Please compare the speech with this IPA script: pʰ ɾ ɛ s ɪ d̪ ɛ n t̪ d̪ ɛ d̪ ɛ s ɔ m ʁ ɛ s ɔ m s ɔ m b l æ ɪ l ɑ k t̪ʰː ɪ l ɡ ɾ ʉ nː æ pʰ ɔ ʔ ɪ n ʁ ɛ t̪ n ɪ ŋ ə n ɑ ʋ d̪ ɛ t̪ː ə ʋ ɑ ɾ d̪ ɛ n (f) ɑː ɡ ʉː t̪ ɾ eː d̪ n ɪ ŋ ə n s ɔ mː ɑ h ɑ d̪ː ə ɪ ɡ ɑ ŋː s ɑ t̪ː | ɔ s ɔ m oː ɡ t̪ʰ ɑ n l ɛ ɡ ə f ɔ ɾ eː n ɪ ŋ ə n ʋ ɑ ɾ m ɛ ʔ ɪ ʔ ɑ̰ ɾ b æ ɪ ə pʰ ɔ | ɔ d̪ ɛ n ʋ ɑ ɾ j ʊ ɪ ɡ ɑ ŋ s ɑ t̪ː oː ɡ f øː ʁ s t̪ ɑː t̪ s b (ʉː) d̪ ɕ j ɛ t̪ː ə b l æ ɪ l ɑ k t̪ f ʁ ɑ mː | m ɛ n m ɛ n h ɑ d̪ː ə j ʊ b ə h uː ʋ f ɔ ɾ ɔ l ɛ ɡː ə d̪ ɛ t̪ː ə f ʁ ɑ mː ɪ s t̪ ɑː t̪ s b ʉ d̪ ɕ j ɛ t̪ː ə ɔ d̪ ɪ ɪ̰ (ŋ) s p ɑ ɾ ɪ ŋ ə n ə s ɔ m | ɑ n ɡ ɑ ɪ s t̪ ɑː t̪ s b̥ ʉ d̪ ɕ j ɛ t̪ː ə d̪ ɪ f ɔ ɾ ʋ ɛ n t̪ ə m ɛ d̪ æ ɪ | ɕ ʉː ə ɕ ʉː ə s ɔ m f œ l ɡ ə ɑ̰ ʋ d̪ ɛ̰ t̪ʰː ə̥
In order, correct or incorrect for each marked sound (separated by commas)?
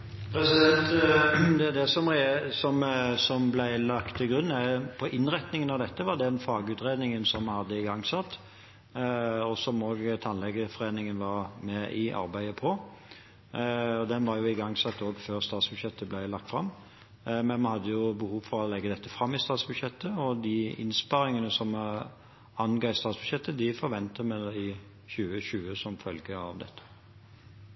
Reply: correct, incorrect, incorrect